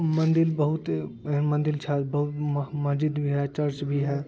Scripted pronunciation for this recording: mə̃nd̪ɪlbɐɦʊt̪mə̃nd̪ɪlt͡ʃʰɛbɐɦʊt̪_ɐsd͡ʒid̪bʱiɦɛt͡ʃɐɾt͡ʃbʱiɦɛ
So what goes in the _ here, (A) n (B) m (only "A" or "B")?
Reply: B